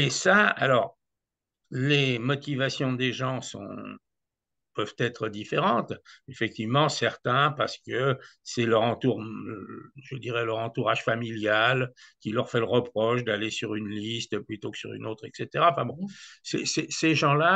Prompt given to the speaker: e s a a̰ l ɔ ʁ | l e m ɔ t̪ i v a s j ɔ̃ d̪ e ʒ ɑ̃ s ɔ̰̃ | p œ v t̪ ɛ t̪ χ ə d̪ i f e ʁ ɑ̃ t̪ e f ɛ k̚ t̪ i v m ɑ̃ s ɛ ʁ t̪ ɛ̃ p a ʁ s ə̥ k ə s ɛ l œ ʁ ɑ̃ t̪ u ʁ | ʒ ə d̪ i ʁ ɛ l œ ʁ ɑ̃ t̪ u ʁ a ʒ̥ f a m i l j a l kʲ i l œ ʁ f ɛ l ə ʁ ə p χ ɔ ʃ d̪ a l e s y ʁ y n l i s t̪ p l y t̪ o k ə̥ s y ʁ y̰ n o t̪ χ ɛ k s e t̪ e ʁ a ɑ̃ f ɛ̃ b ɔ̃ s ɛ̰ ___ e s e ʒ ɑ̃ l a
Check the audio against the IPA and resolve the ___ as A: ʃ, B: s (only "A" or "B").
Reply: B